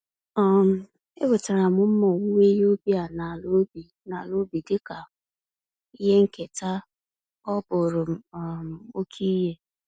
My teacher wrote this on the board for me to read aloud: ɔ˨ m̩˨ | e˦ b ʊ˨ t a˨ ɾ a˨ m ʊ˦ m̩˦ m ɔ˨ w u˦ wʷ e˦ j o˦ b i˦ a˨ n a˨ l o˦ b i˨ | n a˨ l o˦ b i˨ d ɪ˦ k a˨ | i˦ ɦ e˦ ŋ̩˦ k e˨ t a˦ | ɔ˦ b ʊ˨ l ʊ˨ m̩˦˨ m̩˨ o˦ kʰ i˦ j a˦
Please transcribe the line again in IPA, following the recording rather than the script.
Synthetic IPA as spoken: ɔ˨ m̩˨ | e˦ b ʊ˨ t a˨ ɾ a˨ m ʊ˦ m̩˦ m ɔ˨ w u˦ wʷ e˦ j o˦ b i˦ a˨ n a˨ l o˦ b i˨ | n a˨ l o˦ b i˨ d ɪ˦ k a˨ | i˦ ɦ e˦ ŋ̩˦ k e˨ t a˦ | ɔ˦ b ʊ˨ ɾ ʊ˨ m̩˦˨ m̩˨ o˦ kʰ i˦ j e˦